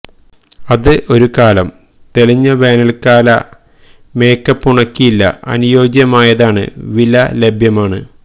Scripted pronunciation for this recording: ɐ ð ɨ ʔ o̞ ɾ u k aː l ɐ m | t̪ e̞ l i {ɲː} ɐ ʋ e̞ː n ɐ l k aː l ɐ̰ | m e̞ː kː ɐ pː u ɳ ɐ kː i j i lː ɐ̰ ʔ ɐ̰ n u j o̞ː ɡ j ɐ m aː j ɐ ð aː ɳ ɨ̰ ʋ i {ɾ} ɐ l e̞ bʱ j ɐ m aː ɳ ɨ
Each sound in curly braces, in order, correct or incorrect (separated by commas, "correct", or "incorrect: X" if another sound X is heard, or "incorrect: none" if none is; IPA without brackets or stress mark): correct, incorrect: l